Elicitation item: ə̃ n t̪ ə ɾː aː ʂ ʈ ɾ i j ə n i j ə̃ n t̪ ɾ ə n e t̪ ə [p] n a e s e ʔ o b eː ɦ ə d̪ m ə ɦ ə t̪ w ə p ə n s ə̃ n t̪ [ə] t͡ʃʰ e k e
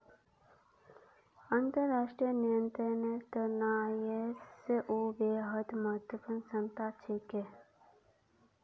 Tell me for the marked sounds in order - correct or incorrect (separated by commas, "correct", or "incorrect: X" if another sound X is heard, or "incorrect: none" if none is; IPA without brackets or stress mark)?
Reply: incorrect: none, incorrect: a